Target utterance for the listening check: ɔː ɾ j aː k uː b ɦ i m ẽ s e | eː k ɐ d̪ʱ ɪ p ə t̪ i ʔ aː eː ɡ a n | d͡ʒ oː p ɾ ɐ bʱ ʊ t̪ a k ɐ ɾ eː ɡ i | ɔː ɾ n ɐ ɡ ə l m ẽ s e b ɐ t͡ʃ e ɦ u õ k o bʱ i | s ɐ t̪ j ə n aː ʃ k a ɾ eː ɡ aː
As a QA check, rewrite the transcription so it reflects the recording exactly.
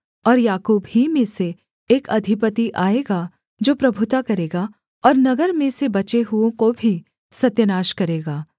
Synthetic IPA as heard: ɔː ɾ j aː k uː b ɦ i m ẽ s e | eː k ɐ d̪ʱ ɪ p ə t̪ i ʔ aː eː ɡ a | d͡ʒ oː p ɾ ɐ bʱ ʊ t̪ a k ɐ ɾ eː ɡ a | ɔː ɾ n ɐ ɡ ə ɾ m ẽ s e b ɐ t͡ʃ e ɦ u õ k o bʱ i | s ɐ t̪ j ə n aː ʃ k ɐ ɾ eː ɡ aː